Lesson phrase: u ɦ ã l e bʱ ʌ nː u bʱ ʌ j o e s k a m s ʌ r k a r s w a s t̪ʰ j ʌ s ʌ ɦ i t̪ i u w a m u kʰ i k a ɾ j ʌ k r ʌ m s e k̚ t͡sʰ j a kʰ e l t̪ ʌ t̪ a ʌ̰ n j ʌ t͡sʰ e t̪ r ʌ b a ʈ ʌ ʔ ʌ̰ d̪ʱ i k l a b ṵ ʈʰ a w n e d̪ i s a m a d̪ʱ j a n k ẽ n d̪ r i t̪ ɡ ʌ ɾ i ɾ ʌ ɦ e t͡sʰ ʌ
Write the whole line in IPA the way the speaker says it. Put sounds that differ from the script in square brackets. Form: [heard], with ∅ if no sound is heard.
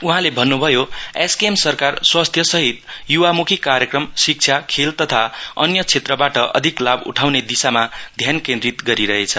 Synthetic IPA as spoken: u ɦ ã l e bʱ ʌ nː u bʱ ʌ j o e s k [e] m s ʌ r k a r s w a s t̪ʰ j ʌ s ʌ ɦ i t̪ [j] u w a m u kʰ i k a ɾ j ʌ k r ʌ m s [i] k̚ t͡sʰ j a kʰ e l t̪ ʌ [t̪ʰ] a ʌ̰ n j ʌ t͡sʰ e t̪ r ʌ b a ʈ ʌ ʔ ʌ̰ d̪ʱ i k l a b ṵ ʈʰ a w n e d̪ i s a m a d̪ʱ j a n k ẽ n d̪ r i t̪ ɡ ʌ ɾ i ɾ ʌ ɦ e t͡sʰ ʌ